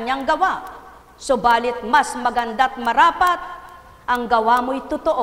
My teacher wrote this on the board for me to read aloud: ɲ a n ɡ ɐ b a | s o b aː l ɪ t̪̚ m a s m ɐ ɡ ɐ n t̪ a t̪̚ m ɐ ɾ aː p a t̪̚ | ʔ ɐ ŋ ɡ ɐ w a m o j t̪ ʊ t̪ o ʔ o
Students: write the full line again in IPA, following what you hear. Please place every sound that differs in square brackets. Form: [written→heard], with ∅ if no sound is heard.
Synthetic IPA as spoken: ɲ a [n→ŋ] ɡ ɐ [b→w] a | s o b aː l ɪ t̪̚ m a s m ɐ ɡ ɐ n [t̪→d̪] a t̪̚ m ɐ ɾ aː p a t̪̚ | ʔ ɐ ŋ ɡ ɐ w a m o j t̪ ʊ t̪ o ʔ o